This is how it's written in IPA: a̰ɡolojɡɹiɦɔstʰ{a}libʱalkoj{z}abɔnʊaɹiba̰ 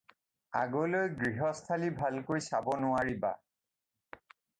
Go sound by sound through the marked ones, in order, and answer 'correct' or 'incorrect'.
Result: correct, incorrect

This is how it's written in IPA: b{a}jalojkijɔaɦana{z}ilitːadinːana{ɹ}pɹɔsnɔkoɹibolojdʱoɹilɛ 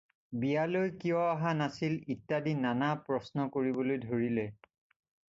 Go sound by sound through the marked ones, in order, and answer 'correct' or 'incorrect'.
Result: incorrect, incorrect, incorrect

